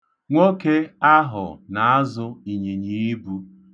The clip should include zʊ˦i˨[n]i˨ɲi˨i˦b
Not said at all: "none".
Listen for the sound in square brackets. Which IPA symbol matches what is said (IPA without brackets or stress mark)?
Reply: ɲ